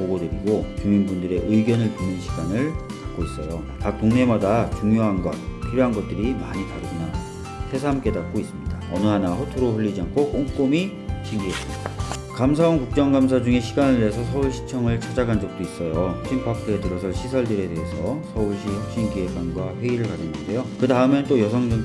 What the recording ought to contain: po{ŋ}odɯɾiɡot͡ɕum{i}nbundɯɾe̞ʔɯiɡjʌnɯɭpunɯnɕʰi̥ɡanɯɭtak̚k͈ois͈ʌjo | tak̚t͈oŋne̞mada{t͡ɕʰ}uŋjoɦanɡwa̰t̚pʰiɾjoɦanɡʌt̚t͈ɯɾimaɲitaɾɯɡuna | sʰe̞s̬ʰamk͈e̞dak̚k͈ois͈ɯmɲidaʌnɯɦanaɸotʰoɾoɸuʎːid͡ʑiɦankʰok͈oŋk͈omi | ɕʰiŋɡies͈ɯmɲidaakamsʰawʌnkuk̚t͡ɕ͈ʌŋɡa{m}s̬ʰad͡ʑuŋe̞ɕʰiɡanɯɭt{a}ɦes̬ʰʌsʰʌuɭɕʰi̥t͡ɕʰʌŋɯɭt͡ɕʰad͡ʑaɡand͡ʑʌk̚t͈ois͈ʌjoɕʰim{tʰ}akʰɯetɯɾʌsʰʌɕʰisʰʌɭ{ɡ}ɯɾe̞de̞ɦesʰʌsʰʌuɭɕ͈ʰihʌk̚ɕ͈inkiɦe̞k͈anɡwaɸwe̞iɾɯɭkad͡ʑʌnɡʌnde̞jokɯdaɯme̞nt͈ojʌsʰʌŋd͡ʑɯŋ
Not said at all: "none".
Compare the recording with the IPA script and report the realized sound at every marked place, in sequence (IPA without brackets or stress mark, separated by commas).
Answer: ɡ, i, t͡ɕ, m, e, pʰ, d